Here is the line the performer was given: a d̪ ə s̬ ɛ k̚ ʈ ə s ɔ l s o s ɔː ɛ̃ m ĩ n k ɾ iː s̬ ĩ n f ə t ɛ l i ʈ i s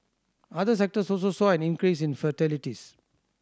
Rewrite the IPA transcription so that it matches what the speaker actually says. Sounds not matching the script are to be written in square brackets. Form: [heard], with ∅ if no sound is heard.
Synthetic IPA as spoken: a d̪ ə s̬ ɛ k̚ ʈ ə s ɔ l s o s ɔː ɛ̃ [n] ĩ n k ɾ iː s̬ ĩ n f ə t ɛ l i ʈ i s